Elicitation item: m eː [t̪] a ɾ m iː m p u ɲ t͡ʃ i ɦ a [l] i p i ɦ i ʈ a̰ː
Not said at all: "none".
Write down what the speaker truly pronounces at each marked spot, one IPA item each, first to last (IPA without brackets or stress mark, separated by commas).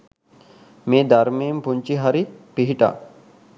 d̪, ɾ